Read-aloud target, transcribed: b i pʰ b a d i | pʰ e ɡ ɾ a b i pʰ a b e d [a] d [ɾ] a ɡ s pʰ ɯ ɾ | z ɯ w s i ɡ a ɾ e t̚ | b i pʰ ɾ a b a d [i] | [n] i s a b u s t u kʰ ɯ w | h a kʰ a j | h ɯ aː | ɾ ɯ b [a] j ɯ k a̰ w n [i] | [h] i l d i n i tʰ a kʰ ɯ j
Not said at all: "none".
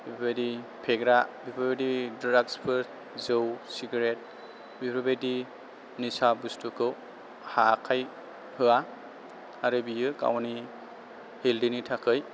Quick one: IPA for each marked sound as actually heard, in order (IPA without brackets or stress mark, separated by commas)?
i, ɾ, i, n, i, i, h